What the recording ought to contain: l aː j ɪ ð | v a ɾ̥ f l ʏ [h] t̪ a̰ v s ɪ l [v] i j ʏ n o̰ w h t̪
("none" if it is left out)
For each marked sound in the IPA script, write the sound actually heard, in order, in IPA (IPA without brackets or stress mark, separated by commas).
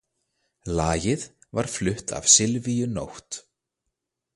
h, v